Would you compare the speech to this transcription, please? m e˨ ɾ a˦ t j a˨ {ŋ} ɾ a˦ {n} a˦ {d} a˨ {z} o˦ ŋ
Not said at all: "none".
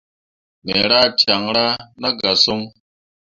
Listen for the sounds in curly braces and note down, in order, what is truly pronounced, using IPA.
ŋ, n, ɡ, s

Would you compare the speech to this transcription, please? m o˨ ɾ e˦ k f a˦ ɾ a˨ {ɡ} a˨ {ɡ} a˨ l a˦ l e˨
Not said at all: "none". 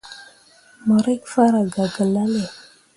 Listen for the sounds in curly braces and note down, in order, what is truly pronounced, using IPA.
ɡ, ɡ

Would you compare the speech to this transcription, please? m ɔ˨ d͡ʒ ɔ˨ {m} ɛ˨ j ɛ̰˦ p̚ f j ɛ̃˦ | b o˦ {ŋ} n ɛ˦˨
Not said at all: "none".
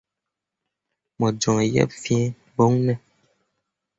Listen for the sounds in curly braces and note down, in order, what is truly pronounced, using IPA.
ŋ, ŋ

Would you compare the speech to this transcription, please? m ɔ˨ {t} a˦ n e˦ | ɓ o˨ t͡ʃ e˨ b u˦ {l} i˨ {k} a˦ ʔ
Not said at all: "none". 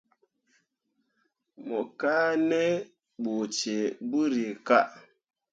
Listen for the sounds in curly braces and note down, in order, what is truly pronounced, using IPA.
k, ɾ, k

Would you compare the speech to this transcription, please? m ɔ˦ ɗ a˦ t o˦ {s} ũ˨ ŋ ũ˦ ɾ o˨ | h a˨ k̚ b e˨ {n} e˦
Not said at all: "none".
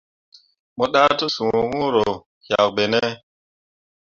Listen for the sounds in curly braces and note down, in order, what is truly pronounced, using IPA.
s, n

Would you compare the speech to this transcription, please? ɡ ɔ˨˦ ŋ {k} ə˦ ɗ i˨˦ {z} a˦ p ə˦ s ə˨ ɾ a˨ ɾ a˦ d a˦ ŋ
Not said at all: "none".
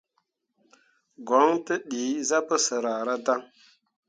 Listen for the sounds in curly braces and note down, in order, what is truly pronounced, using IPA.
t, z

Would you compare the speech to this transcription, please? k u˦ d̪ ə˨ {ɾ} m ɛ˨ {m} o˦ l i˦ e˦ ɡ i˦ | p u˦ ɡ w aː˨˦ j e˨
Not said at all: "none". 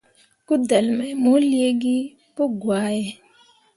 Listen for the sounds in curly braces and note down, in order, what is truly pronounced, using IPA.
l, m

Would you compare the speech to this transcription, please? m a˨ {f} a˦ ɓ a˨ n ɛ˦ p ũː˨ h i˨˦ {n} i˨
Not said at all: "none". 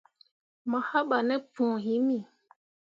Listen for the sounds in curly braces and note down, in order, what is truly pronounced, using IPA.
h, m

